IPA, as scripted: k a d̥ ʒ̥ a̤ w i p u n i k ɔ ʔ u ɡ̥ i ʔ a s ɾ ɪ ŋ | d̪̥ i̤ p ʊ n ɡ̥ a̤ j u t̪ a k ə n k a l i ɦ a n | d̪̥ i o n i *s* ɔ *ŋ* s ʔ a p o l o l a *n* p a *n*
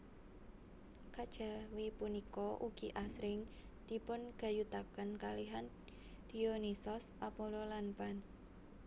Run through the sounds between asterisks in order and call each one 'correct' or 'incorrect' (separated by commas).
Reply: correct, incorrect, correct, correct